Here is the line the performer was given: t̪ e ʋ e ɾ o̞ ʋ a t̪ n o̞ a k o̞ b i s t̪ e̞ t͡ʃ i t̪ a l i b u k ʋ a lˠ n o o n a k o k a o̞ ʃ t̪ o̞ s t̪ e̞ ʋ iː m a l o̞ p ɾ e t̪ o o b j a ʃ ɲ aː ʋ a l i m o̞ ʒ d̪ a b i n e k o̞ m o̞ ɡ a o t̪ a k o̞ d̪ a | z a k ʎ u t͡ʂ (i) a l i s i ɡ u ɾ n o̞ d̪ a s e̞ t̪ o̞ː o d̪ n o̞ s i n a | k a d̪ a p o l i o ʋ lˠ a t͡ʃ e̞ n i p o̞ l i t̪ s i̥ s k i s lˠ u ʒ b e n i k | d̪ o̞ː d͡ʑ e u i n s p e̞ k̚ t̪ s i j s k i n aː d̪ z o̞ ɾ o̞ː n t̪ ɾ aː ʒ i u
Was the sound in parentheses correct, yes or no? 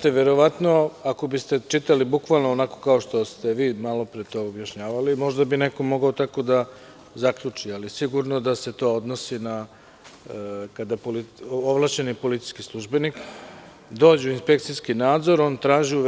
yes